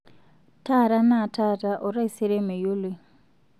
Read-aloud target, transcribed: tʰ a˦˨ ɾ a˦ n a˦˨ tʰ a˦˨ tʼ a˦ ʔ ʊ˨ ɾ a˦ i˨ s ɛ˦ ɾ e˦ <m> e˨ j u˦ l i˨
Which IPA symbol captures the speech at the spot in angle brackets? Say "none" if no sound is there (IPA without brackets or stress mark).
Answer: m